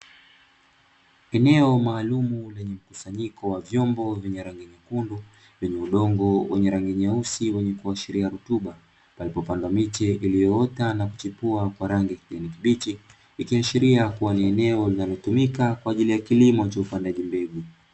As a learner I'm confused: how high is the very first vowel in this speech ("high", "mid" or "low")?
mid